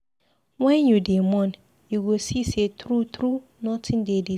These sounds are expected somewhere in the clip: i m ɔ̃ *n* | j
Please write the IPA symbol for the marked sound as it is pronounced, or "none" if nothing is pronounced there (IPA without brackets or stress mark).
n